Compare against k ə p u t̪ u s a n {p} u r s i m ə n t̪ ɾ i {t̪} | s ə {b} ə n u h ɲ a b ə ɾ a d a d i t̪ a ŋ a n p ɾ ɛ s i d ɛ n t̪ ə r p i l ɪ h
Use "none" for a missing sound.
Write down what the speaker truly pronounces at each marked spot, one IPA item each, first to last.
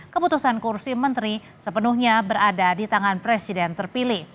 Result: k, none, p

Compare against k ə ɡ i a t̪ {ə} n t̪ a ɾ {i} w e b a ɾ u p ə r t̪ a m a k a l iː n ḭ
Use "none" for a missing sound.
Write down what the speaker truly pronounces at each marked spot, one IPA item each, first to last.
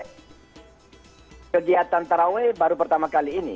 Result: a, a

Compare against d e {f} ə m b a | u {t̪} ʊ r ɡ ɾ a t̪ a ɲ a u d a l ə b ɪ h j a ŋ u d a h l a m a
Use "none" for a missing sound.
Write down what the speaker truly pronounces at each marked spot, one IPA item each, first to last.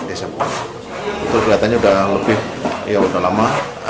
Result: s, t̪

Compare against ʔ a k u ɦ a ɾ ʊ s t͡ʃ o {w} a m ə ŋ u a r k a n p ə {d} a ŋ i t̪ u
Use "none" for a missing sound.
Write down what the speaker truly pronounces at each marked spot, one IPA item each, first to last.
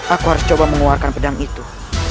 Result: b, d

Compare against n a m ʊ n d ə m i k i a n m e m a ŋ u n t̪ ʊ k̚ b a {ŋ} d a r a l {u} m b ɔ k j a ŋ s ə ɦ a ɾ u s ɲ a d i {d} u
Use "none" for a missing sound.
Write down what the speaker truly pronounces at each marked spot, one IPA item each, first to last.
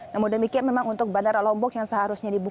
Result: n, ɔ, b

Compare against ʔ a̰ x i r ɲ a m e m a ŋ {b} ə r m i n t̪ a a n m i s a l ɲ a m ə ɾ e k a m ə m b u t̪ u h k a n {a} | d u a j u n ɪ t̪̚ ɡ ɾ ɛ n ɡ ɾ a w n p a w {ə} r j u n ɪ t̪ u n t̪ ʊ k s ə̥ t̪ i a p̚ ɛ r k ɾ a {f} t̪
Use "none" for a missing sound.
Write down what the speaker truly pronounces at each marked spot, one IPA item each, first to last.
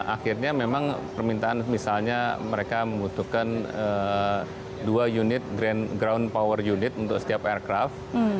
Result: p, ə, ə, f

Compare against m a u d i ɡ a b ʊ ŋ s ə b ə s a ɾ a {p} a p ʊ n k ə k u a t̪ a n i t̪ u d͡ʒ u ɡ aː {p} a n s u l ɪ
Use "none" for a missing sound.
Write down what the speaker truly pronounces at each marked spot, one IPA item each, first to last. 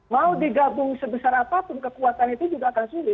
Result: p, k

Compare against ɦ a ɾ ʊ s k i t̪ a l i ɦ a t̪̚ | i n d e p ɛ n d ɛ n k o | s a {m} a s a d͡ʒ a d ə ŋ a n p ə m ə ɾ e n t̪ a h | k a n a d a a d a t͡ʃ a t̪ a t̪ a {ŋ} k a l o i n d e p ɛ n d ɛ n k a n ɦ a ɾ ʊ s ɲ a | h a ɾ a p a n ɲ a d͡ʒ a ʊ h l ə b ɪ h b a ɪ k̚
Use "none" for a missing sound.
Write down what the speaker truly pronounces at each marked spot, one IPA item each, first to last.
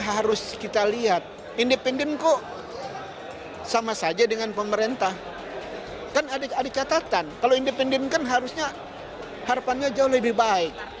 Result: m, n

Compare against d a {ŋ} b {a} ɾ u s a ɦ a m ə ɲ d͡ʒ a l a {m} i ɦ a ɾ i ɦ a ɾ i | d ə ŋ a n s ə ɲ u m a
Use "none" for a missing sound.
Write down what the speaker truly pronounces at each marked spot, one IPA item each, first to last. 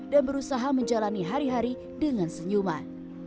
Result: n, ə, n

